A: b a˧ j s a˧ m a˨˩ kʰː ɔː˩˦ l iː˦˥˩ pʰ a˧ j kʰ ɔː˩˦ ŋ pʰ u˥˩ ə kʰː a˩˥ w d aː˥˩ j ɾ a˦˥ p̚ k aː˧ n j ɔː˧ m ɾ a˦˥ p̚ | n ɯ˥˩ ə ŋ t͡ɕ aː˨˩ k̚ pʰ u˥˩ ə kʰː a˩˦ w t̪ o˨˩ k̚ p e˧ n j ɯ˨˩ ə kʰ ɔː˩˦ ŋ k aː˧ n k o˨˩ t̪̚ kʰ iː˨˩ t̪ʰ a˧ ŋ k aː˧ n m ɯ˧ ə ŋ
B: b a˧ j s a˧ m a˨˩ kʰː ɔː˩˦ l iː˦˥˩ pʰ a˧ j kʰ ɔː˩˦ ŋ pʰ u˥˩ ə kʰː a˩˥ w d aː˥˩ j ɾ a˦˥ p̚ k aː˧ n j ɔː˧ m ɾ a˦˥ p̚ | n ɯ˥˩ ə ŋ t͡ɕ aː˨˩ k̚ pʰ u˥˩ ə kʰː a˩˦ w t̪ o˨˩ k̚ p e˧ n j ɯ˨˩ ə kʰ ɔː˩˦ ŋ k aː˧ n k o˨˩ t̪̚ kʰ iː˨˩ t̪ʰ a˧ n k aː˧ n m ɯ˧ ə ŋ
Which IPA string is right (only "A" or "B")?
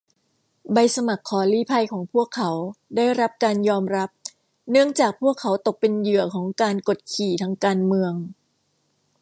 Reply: A